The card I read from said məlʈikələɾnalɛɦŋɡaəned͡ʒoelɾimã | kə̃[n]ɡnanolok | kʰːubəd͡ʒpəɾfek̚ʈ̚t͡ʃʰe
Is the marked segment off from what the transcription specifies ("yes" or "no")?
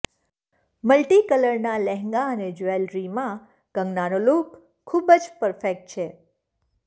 yes